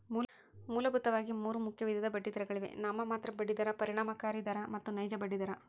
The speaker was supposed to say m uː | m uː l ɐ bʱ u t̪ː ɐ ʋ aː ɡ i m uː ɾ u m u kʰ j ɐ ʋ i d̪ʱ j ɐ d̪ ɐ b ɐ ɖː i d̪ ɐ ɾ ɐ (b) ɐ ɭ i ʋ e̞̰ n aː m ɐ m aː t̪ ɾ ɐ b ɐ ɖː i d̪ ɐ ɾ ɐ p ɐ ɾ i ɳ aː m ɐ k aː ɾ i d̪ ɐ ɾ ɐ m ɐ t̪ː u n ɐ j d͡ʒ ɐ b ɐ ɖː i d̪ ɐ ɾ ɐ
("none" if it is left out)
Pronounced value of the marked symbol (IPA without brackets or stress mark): ɡ